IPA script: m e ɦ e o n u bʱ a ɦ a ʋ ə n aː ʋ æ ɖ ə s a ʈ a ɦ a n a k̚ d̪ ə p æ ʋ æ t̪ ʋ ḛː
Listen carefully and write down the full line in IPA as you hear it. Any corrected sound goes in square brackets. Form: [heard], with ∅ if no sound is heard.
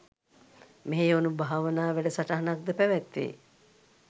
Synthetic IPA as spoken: m e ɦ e o n u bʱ a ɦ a ʋ ə n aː ʋ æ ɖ ə s a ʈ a ɦ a n a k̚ d̪ ə p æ ʋ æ t̪ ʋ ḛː

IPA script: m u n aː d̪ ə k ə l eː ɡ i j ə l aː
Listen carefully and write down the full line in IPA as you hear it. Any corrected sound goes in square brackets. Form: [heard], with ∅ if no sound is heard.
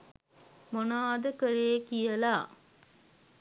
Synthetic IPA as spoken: m [o] n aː d̪ ə k ə [ɾ] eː [k] i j ə l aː

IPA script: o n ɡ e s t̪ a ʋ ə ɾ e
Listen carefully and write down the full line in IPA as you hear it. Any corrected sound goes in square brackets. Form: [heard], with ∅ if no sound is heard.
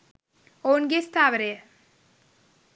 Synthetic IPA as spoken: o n ɡ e s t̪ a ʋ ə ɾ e

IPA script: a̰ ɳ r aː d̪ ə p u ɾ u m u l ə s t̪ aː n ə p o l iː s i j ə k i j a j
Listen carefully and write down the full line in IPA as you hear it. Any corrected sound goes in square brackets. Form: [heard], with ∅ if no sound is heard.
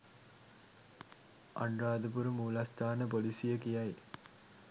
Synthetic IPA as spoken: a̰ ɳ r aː d̪ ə p u ɾ u m [uː] l [a] s t̪ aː n ə p o l [i] s i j ə k i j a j

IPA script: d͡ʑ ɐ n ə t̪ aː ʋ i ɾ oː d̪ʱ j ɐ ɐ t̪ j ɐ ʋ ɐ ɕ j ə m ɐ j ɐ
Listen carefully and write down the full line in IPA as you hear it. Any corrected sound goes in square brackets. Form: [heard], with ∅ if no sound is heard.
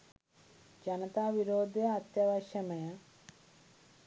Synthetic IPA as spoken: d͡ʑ ɐ n [ɐ] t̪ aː ʋ i ɾ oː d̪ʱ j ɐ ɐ t̪ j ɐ ʋ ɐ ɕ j [ɐ] m ɐ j ɐ

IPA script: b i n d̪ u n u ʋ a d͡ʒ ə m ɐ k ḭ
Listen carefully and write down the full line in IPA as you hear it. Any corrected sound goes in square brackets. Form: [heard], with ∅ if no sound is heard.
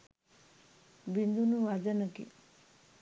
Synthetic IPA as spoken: b i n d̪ u n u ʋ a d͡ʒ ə [n] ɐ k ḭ

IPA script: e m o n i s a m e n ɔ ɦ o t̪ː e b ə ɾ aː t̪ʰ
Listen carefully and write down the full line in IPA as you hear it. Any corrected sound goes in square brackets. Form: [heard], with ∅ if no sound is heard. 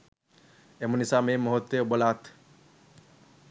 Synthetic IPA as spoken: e m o n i s a m e [m] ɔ ɦ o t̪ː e b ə [l] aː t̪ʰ

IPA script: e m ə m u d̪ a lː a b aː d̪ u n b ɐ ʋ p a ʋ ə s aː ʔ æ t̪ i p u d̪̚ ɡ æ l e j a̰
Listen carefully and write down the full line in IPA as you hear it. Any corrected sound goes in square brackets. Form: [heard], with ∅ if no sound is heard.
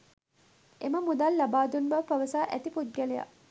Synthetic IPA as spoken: e m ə m u d̪ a lː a b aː d̪ u n b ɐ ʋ p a ʋ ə s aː ʔ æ t̪ i p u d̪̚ ɡ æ l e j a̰

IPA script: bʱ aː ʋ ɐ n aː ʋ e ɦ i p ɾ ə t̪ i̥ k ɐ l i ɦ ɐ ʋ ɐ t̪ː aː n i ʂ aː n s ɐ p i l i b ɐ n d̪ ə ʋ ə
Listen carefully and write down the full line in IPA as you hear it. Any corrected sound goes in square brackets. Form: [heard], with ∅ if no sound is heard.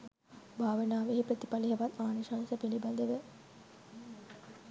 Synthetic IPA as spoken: bʱ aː ʋ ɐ n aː ʋ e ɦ i p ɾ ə t̪ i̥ [p] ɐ l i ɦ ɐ ʋ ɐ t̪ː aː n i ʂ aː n s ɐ p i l i b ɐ n d̪ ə ʋ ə

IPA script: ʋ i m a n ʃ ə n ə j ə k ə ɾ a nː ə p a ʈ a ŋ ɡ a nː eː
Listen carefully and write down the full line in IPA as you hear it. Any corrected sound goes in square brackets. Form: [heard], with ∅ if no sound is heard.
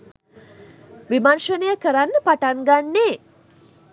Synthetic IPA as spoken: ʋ i m a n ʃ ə n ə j ə k ə ɾ a nː ə p a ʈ a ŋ ɡ a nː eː

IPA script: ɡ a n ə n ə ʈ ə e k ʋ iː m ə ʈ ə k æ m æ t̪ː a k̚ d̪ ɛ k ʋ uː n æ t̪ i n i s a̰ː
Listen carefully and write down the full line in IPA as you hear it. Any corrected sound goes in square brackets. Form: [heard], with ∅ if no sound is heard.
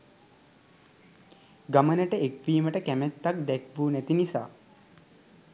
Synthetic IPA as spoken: ɡ a [m] ə n ə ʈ ə e k ʋ iː m ə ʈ ə k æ m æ t̪ː a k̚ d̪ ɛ k ʋ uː n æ t̪ i n i s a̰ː

